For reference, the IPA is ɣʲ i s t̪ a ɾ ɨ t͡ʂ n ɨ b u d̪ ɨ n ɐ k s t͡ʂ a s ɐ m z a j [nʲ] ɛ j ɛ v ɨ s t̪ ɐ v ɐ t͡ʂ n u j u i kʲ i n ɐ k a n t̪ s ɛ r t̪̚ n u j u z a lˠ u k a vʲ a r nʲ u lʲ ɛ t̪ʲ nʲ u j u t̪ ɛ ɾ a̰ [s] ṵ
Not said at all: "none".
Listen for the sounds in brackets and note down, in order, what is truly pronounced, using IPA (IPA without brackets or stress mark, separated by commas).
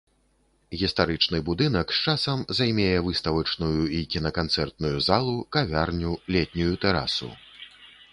mʲ, s